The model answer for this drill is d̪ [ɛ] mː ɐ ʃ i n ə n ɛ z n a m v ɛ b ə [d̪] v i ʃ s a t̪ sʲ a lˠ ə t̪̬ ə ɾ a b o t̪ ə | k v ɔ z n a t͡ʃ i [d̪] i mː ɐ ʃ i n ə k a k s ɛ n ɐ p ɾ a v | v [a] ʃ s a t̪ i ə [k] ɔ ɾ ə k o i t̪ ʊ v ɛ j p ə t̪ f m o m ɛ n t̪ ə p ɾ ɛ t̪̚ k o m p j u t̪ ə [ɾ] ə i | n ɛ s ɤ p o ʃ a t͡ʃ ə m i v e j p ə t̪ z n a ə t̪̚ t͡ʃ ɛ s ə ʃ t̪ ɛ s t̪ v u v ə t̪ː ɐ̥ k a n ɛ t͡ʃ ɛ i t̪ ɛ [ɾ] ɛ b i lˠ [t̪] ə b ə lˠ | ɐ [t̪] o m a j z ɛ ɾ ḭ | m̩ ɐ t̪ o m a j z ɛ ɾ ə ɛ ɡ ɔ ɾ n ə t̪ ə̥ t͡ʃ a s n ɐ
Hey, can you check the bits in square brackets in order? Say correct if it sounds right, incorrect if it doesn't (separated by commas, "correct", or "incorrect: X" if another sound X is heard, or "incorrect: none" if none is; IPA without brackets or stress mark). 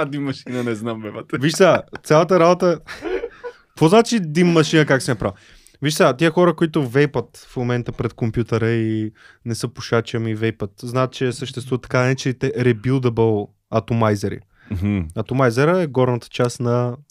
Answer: incorrect: i, incorrect: t̪, correct, incorrect: i, incorrect: x, correct, correct, incorrect: d̪, correct